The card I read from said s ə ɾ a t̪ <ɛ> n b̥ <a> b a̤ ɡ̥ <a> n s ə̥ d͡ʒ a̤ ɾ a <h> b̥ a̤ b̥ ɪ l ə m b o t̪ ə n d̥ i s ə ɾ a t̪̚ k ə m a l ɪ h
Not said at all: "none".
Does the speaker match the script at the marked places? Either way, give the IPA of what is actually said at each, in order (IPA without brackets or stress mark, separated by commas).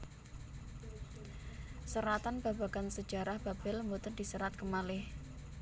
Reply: a, a, a, h